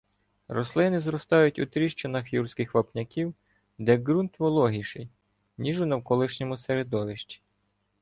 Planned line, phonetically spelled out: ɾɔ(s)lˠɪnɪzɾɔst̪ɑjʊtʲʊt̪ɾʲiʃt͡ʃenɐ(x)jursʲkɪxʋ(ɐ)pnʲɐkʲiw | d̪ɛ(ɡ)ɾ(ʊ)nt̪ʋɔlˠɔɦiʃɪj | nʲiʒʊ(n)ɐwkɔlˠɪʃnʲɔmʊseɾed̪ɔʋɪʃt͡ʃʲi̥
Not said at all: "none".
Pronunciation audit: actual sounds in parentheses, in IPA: s, x, ɐ, ɡ, u, n

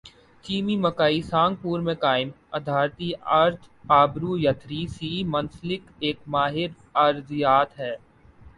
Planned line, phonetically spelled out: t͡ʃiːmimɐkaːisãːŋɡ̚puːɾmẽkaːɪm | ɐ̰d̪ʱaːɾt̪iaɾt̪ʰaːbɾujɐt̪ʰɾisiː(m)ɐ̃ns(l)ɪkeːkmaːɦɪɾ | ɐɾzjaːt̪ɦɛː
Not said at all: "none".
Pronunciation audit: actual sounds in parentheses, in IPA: m, l

